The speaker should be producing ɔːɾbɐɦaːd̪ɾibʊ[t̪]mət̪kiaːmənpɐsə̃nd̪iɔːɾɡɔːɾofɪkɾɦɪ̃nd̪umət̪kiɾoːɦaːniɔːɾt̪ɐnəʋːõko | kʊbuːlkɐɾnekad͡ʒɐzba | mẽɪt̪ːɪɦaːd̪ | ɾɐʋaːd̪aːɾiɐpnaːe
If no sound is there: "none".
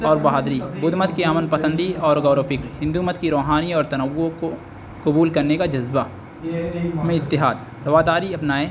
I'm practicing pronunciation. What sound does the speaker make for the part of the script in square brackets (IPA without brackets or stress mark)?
d̪